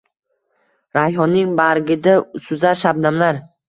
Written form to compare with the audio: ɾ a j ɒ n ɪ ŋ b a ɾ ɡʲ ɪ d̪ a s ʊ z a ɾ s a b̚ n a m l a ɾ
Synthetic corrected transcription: ɾ a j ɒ n ɪ ŋ b a ɾ ɡʲ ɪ d̪ a s ʊ z a ɾ ʃ a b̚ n a m l a ɾ

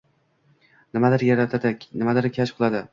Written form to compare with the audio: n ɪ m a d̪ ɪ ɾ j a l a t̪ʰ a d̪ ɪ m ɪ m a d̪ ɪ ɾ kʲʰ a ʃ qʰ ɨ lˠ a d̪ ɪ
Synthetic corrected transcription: n ɪ m a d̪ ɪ ɾ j a ɾ a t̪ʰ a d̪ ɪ n ɪ m a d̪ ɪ ɾ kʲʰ a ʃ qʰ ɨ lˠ a d̪ ɪ

